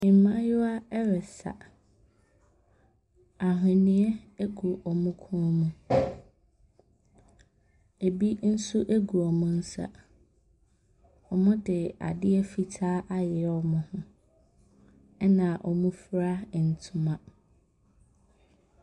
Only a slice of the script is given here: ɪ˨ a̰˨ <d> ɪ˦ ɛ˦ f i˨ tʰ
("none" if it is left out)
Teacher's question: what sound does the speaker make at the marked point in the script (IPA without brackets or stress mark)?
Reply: d